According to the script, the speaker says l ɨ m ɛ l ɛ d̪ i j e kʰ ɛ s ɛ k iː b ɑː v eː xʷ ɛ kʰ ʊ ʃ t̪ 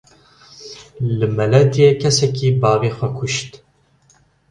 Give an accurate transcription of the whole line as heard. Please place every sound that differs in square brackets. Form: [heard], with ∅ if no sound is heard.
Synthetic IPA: l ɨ m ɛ l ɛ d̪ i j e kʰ ɛ s ɛ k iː b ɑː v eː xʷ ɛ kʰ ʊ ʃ t̪